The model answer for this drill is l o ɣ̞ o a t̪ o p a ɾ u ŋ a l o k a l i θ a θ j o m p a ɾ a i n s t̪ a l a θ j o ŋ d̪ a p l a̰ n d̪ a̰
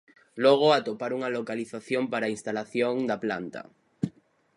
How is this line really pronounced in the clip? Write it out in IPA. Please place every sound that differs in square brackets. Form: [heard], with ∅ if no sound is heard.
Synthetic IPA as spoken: l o ɣ̞ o a t̪ o p a ɾ u ŋ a l o k a l i θ a θ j o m p a ɾ a i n s t̪ a l a θ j o ŋ d̪ a p l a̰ n [t̪] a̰